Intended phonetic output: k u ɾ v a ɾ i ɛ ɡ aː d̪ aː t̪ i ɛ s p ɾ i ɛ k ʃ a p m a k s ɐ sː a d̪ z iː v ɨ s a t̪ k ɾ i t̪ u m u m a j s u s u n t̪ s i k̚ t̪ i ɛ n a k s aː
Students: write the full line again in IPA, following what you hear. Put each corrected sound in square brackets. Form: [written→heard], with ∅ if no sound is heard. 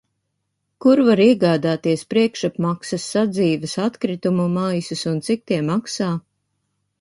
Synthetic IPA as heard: k u ɾ v a ɾ i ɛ ɡ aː d̪ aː t̪ i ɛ s p ɾ i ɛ k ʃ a p m a k s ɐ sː a d̪ z iː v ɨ s a t̪ k ɾ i t̪ u m u m a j s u s u n t̪ s i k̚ t̪ i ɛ [n→m] a k s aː